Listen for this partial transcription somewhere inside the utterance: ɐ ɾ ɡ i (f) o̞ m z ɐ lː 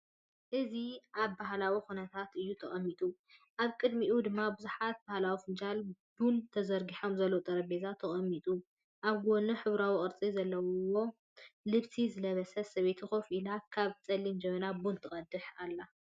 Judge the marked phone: incorrect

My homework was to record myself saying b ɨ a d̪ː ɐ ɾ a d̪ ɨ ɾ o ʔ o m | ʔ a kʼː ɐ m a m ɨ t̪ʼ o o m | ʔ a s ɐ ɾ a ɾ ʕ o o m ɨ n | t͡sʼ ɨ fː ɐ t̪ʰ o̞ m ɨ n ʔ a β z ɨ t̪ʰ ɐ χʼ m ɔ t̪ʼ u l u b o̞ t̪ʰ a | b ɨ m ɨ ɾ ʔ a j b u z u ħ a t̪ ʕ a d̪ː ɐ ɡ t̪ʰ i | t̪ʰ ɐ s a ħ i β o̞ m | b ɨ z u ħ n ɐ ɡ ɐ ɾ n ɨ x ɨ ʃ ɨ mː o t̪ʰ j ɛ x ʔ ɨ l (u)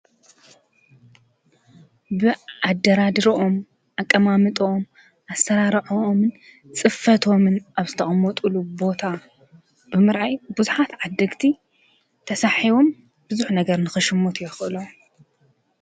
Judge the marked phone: incorrect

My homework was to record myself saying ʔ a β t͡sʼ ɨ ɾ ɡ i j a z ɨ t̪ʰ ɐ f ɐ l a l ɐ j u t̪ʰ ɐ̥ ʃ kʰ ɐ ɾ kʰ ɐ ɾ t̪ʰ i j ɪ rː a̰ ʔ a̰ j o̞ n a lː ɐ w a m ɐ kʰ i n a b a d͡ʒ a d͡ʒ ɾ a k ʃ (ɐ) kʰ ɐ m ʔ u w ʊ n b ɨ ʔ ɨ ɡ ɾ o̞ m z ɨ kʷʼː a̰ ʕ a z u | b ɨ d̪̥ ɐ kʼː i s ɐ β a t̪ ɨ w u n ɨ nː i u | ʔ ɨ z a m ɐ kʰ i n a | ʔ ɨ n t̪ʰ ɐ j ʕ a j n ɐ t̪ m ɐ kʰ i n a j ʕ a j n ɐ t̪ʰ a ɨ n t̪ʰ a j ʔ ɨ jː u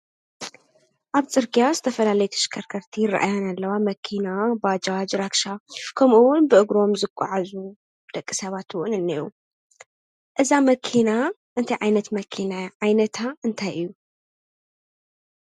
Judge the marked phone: incorrect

